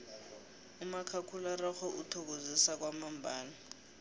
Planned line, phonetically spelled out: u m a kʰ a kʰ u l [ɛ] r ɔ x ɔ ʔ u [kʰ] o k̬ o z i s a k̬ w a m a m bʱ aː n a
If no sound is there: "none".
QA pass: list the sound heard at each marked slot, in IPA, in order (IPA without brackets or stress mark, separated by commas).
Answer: a, tʰ